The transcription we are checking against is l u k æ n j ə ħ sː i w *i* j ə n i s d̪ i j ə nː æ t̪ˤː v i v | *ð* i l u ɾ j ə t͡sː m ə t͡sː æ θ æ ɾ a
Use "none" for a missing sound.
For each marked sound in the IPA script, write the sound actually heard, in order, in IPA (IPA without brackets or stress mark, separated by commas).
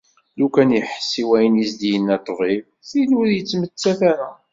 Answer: æ, θ